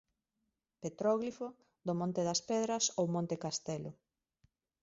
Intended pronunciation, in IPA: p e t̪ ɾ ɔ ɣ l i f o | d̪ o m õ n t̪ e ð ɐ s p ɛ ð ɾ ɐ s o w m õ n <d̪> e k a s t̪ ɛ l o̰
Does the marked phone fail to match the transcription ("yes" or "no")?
yes